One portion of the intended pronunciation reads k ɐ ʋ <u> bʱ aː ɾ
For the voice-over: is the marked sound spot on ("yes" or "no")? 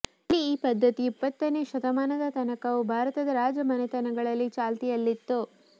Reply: yes